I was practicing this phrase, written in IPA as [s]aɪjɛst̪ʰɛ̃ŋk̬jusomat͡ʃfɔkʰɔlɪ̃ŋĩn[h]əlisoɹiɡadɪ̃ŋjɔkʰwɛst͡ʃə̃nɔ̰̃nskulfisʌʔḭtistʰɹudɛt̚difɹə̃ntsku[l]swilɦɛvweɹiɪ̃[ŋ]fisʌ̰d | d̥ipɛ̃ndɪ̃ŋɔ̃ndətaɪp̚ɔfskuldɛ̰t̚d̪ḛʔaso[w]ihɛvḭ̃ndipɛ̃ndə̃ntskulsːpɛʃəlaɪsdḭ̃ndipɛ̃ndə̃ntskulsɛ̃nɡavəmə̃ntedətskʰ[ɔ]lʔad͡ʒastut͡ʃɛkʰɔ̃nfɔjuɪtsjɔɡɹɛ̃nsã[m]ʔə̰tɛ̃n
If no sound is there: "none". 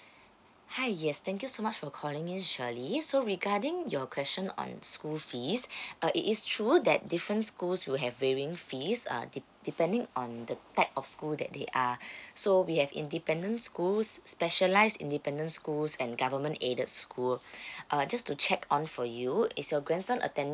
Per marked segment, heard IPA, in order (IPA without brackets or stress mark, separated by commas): h, ʃ, l, ŋ, w, u, n